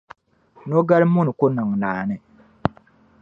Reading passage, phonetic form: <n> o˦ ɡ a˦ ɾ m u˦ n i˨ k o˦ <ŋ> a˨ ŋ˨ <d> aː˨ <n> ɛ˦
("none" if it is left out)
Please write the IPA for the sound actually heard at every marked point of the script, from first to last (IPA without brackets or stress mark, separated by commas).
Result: n, n, n, n